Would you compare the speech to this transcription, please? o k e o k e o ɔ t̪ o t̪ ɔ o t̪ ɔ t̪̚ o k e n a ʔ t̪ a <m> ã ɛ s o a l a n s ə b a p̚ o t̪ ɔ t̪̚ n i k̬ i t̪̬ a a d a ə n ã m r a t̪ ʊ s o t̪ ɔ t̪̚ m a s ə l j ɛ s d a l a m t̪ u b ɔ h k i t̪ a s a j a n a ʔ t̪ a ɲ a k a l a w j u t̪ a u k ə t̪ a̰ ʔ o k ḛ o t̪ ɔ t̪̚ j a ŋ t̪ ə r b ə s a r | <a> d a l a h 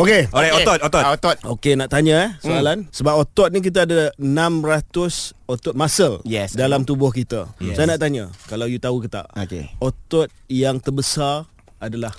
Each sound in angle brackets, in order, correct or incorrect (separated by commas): incorrect, correct